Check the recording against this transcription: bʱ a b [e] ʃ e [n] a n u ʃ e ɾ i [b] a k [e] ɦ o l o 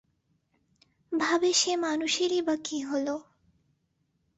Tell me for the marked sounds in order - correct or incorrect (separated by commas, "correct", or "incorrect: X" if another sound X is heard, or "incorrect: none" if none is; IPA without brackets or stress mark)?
correct, incorrect: m, correct, incorrect: i